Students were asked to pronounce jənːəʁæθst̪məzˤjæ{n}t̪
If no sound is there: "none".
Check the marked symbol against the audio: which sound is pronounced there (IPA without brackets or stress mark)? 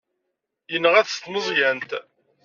n